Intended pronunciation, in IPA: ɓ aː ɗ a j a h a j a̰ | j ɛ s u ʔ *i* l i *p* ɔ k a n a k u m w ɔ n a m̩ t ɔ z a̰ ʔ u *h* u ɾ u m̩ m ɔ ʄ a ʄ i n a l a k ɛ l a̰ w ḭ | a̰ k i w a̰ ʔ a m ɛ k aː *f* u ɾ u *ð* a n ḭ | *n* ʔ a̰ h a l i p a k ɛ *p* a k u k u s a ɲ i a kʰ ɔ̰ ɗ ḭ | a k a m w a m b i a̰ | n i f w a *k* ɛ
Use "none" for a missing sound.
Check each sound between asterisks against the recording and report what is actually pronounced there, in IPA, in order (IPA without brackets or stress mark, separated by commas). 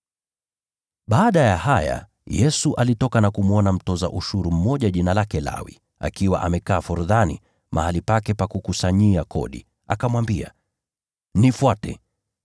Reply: a, t, ʃ, f, ð, m, p, t